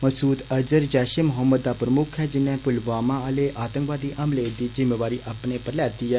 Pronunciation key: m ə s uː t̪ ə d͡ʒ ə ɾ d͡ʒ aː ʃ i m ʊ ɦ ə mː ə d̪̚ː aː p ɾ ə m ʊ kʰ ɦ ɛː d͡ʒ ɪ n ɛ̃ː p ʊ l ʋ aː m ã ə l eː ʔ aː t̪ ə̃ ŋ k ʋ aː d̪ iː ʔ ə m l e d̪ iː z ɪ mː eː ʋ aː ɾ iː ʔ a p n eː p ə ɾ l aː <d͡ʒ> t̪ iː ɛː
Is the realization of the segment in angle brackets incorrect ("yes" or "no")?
yes